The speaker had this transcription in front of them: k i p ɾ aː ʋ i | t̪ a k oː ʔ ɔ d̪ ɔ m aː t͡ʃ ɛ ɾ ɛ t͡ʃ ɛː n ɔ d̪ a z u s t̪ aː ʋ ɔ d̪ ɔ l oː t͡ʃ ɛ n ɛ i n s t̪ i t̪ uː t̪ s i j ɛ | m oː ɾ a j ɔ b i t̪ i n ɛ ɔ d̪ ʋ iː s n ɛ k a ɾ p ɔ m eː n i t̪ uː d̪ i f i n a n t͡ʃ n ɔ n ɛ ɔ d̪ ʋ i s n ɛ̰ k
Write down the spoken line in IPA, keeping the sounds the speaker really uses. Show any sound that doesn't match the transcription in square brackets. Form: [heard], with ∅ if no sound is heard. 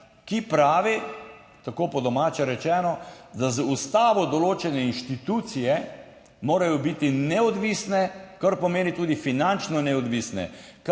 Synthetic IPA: k i p ɾ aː ʋ i | t̪ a k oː [p] ɔ d̪ ɔ m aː t͡ʃ ɛ ɾ ɛ t͡ʃ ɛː n ɔ d̪ a z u s t̪ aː ʋ ɔ d̪ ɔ l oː t͡ʃ ɛ n ɛ i n [ʃ] t̪ i t̪ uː t̪ s i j ɛ | m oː ɾ a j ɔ b i t̪ i n ɛ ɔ d̪ ʋ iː s n ɛ k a ɾ p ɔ m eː n i t̪ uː d̪ i f i n a n t͡ʃ n ɔ n ɛ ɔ d̪ ʋ i s n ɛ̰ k